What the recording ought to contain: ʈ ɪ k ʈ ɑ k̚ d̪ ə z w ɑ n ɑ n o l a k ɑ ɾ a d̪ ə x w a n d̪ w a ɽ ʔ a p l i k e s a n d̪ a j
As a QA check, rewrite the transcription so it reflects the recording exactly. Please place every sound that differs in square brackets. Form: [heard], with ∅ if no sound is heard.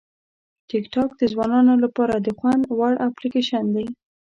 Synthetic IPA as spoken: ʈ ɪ k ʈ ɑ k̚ d̪ ə z w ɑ n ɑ n o l a [p] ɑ ɾ a d̪ ə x w a n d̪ w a ɽ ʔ a p l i k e [ʃ] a n d̪ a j